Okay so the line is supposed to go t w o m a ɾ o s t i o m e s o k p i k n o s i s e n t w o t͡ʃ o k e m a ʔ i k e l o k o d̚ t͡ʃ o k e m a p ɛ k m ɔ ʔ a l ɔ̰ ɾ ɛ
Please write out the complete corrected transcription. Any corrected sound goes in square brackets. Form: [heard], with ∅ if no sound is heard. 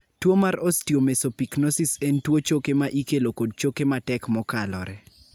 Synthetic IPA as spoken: t w o m a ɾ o s t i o m e s o [∅] p i k n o s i s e n t w o t͡ʃ o k e m a ʔ i k e l o k o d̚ t͡ʃ o k e m a [t] ɛ k m ɔ [k] a l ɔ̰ ɾ ɛ